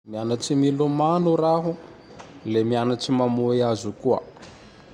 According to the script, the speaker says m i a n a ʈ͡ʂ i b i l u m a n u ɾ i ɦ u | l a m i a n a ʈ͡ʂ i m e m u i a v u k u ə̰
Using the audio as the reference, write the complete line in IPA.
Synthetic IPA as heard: m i a n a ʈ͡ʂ i m i l u m a n u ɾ a ɦ u | l e m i a n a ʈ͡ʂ i m a m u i a z u k u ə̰